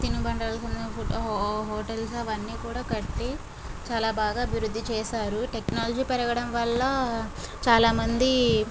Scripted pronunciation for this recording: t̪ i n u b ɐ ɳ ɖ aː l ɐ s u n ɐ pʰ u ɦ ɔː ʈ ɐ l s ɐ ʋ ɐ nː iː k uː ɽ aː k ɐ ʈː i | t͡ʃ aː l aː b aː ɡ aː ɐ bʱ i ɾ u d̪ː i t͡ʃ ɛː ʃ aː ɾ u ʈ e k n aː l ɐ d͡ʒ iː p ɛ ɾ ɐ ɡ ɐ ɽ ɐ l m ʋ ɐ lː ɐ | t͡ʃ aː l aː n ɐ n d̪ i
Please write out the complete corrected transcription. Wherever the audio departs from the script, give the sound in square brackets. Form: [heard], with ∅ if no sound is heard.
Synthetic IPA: t̪ i n u b ɐ ɳ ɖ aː l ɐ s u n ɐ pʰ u ɦ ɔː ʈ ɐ l s ɐ ʋ ɐ nː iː k uː ɽ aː k ɐ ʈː i | t͡ʃ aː l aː b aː ɡ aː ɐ bʱ i ɾ u d̪ː i t͡ʃ ɛː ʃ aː ɾ u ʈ e k n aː l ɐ d͡ʒ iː p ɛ ɾ ɐ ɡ ɐ ɽ ɐ [∅] m ʋ ɐ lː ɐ | t͡ʃ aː l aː [m] ɐ n d̪ i

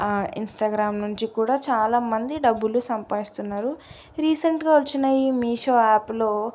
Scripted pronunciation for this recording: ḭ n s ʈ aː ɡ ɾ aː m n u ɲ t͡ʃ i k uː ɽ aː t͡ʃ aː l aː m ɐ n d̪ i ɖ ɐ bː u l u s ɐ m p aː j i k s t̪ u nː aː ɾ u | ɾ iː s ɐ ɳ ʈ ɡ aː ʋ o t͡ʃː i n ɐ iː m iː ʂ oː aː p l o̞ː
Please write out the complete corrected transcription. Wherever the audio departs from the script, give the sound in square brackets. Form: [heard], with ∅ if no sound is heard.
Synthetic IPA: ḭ n s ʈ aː ɡ ɾ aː m n u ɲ t͡ʃ i k uː ɽ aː t͡ʃ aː l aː m ɐ n d̪ i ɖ ɐ bː u l u s ɐ m p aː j i [∅] s t̪ u nː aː ɾ u | ɾ iː s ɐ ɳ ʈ ɡ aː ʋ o t͡ʃː i n ɐ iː m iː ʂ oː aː p l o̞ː

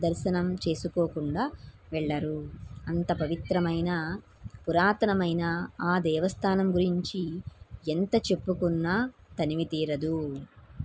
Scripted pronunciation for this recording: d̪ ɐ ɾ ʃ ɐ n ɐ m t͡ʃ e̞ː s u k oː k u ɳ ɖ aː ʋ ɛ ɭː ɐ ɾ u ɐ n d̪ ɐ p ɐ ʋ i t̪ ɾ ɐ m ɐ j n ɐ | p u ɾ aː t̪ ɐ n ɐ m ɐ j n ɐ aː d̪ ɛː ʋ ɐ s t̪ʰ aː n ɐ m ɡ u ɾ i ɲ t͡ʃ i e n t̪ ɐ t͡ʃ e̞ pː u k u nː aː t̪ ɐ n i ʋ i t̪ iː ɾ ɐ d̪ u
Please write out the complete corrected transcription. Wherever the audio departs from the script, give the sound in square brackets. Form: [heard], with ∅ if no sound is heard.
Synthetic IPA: d̪ ɐ ɾ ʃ ɐ n ɐ m t͡ʃ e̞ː s u k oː k u ɳ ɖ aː ʋ ɛ ɭː ɐ ɾ u ɐ n [t̪] ɐ p ɐ ʋ i t̪ ɾ ɐ m ɐ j n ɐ | p u ɾ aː t̪ ɐ n ɐ m ɐ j n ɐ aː d̪ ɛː ʋ ɐ s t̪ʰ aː n ɐ m ɡ u ɾ i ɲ t͡ʃ i e n t̪ ɐ t͡ʃ e̞ pː u k u nː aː t̪ ɐ n i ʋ i t̪ iː ɾ ɐ d̪ u

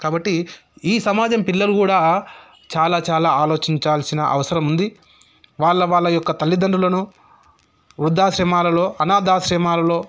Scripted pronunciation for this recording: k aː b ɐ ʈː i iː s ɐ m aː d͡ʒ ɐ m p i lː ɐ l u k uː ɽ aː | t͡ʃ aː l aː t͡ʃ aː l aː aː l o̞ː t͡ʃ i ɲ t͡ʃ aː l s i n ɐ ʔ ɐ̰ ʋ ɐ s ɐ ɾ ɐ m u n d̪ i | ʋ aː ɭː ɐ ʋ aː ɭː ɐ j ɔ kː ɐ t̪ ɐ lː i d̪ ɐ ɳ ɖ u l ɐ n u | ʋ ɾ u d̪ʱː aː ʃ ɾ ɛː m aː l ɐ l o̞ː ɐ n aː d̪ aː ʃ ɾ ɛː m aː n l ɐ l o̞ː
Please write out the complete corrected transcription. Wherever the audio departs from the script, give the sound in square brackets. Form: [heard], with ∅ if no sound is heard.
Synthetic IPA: k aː b ɐ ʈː i iː s ɐ m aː d͡ʒ ɐ m p i lː ɐ l u k uː ɽ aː | t͡ʃ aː l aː t͡ʃ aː l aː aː l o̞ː t͡ʃ i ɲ t͡ʃ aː l s i n ɐ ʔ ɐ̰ ʋ ɐ s ɐ ɾ ɐ m u n d̪ i | ʋ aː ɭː ɐ ʋ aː ɭː ɐ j ɔ kː ɐ t̪ ɐ lː i d̪ ɐ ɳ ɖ u l ɐ n u | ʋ ɾ u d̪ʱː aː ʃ ɾ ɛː m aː l ɐ l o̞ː ɐ n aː d̪ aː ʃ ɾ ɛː m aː [∅] l ɐ l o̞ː

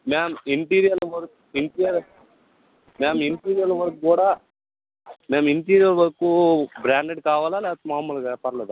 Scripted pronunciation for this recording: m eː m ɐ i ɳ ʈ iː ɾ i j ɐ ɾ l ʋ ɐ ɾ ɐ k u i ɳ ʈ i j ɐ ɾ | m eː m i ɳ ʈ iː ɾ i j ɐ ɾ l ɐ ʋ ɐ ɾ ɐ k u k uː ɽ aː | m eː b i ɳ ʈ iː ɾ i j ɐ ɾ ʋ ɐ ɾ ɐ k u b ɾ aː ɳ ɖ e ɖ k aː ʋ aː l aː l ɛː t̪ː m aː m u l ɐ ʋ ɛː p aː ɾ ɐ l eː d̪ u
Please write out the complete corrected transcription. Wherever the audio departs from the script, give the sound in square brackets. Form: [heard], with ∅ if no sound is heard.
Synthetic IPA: m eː m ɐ i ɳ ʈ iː ɾ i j ɐ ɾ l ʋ ɐ ɾ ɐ k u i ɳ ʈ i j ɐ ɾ | m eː m i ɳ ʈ iː ɾ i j ɐ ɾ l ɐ ʋ ɐ ɾ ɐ k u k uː ɽ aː | m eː [m] i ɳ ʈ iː ɾ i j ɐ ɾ ʋ ɐ ɾ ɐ k u b ɾ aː ɳ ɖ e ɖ k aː ʋ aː l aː l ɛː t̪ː m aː m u l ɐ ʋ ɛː p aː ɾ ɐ l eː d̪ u

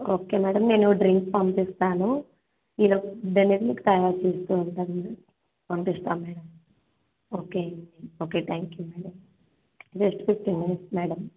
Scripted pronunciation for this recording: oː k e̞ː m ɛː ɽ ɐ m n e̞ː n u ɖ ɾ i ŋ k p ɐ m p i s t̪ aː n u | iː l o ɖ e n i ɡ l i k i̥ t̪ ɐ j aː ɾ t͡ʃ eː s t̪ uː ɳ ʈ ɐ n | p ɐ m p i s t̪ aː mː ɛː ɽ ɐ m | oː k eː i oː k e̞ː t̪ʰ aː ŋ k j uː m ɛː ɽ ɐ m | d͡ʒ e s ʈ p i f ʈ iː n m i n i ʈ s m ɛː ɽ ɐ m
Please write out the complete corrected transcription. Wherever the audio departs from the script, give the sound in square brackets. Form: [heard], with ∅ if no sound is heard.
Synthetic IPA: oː k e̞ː m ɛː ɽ ɐ m n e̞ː n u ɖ ɾ i ŋ k p ɐ m p i s t̪ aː n u | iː l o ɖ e n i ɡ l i k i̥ t̪ ɐ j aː ɾ t͡ʃ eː s t̪ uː ɳ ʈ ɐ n | p ɐ m p i s t̪ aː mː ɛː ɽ ɐ m | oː k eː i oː k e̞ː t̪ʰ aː ŋ k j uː m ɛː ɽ ɐ m | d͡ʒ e s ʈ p i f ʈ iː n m i n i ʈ s m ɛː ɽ ɐ m

